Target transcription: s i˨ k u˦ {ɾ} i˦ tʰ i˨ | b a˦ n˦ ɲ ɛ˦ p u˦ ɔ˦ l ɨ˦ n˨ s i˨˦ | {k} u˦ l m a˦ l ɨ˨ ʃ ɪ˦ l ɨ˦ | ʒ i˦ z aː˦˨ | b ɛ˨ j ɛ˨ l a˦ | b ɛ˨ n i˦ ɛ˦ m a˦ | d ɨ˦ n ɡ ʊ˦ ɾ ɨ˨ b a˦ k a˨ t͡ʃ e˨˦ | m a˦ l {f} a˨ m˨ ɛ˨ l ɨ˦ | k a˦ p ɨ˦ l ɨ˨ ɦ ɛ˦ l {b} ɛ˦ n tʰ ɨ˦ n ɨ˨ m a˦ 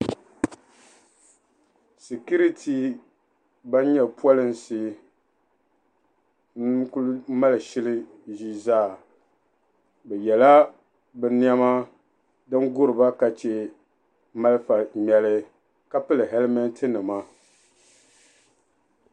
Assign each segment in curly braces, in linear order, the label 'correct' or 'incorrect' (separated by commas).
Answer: correct, correct, correct, incorrect